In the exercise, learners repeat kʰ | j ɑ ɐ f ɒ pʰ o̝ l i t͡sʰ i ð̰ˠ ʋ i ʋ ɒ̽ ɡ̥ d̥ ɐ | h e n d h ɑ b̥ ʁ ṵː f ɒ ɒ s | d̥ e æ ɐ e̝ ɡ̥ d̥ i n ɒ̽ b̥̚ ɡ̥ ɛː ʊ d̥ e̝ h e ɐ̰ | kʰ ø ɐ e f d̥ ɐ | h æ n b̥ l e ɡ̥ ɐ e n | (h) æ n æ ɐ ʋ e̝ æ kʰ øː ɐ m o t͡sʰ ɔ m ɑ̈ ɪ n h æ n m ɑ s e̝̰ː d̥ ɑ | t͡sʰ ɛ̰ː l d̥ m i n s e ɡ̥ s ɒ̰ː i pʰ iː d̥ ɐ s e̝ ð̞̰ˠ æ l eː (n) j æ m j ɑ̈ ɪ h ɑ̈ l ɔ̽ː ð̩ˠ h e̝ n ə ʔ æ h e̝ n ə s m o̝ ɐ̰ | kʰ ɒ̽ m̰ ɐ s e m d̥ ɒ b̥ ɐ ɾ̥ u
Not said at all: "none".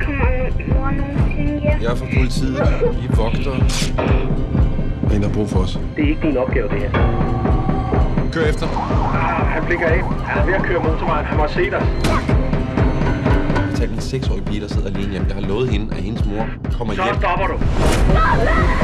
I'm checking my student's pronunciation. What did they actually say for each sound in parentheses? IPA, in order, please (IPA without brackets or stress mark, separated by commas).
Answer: h, n